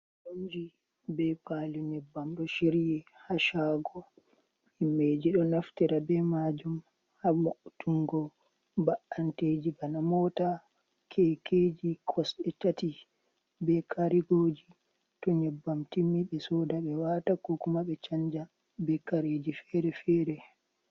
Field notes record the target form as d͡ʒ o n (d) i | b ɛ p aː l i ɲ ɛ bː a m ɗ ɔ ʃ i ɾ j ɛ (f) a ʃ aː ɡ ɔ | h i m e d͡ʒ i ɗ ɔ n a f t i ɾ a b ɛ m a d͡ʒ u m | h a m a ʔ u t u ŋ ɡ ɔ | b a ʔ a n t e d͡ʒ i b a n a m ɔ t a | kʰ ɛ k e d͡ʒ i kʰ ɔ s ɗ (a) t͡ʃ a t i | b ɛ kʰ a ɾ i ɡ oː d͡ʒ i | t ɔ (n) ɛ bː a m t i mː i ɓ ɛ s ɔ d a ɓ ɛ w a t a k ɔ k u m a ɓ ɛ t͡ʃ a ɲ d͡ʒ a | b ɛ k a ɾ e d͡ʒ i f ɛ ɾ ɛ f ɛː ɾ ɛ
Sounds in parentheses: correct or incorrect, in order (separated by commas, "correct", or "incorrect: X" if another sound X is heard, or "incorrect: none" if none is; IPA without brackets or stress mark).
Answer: incorrect: d͡ʒ, incorrect: h, incorrect: ɛ, incorrect: ɲ